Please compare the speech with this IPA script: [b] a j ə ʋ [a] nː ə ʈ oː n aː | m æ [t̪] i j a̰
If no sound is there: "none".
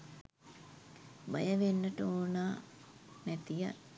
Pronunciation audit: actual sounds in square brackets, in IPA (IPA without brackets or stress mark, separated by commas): b, e, t̪